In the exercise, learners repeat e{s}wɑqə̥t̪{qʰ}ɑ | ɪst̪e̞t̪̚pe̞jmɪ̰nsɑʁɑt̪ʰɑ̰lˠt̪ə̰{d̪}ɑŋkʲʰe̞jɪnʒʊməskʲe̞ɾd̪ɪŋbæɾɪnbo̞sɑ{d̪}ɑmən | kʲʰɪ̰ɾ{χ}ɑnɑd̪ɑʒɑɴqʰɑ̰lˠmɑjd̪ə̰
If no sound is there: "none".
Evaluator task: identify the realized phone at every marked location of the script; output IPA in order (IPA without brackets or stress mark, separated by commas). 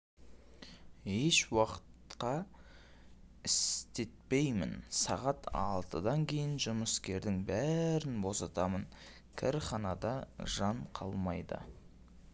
ʃ, q, d̪, t̪, χ